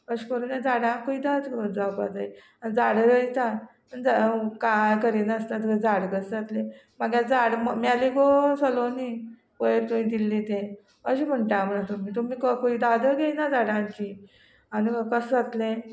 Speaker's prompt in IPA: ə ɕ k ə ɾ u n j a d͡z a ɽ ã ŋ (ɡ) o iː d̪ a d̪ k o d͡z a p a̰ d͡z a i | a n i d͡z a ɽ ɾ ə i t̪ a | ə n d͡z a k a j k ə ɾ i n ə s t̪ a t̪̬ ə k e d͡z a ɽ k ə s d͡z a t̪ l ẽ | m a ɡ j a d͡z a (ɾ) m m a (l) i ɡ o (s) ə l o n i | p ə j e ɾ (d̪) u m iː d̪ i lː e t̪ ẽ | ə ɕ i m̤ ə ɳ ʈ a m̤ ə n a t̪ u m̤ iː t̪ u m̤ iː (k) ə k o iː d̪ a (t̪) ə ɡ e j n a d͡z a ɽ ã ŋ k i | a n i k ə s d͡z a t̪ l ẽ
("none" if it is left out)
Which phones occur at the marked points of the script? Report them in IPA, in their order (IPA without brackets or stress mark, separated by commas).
k, ɽ, l, s, t̪, k, d̪